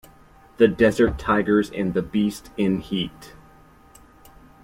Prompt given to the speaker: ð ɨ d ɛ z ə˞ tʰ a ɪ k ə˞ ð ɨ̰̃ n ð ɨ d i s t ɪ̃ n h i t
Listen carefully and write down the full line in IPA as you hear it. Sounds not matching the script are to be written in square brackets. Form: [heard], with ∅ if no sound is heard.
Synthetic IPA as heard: ð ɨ d ɛ z ə˞ tʰ a ɪ [ɡ] ə˞ [z] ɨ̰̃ n ð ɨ [b] i s t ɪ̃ n h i t